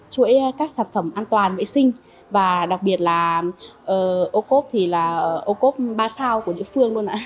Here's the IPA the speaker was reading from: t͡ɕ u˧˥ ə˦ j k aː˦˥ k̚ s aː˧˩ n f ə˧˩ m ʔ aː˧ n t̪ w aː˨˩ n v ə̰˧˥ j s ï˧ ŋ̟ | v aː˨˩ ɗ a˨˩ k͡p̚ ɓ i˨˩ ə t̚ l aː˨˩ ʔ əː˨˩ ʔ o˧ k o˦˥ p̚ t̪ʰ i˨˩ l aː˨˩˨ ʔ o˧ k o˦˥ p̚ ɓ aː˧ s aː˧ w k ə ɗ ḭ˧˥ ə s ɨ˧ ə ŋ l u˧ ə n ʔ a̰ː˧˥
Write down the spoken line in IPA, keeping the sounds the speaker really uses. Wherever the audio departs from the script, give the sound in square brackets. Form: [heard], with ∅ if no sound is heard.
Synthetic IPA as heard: t͡ɕ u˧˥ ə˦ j k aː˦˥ k̚ s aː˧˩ n f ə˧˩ m ʔ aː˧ n t̪ w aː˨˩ n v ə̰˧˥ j s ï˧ ŋ̟ | v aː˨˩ ɗ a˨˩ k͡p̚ ɓ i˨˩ ə t̚ l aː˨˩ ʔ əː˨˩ ʔ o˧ k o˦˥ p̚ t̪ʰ i˨˩ l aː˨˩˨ ʔ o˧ k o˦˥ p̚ ɓ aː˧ s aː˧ w k ə ɗ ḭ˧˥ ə [f] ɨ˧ ə ŋ l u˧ ə n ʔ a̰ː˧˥